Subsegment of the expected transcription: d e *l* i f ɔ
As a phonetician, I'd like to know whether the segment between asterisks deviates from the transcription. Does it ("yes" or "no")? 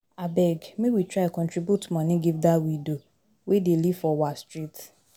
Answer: no